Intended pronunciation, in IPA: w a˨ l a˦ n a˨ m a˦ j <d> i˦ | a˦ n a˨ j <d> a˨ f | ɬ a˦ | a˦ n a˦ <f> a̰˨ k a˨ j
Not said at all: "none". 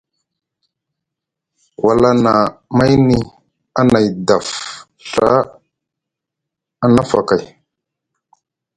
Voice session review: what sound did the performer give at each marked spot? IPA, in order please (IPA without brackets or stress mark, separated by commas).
n, d, f